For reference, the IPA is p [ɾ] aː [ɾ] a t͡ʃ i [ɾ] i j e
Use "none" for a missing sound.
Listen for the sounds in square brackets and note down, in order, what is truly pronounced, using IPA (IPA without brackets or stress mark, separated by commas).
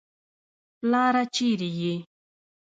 l, ɾ, ɾ